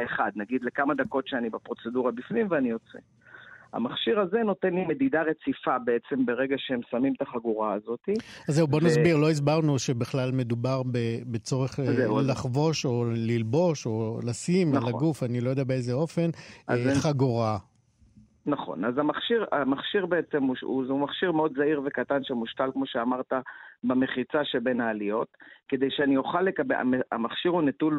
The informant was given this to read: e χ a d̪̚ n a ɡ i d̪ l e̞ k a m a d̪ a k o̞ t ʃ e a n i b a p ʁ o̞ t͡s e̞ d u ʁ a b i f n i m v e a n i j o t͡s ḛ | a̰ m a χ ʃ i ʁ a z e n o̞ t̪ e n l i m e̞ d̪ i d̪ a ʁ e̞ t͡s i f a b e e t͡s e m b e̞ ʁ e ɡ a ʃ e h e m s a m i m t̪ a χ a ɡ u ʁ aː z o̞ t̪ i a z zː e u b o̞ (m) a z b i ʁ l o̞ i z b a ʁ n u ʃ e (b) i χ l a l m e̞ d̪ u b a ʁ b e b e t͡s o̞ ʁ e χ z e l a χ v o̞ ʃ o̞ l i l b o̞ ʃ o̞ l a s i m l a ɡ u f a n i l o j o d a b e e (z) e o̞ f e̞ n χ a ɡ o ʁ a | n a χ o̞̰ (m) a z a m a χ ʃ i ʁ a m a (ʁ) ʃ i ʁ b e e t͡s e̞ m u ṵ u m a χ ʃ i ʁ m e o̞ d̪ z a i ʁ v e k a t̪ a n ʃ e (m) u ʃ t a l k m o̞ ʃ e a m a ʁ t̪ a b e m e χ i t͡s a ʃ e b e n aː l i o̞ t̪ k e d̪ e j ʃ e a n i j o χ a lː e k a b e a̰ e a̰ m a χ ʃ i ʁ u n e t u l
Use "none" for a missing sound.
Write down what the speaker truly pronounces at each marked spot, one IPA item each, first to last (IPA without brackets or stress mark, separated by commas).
n, b, z, n, χ, m